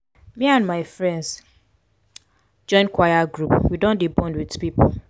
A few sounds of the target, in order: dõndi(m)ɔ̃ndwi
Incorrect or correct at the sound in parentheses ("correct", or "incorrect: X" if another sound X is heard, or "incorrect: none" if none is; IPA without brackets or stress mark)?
incorrect: b